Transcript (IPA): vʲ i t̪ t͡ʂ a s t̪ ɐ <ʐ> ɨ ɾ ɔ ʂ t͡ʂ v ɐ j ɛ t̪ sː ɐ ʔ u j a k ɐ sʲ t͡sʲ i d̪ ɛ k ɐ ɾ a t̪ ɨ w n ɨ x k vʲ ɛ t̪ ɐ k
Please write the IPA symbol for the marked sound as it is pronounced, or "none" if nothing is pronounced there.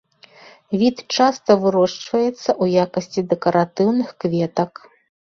v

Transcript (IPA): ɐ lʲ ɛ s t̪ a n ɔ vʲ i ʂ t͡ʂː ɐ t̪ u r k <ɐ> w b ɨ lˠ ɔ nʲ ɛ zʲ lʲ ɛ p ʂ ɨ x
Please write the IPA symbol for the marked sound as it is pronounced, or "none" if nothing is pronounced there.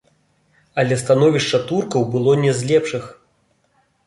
ɐ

